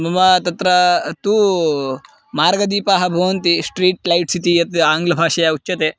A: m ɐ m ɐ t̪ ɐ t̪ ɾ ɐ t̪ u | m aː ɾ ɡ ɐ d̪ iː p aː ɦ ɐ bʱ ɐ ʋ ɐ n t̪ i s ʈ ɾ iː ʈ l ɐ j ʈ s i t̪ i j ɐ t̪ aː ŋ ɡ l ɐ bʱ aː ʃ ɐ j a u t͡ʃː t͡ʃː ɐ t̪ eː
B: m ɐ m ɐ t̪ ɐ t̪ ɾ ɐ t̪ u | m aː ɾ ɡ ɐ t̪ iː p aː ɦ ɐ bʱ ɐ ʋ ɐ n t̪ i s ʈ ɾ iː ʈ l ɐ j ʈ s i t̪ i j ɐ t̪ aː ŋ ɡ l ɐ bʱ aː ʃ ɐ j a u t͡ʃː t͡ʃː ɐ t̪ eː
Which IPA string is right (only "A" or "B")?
A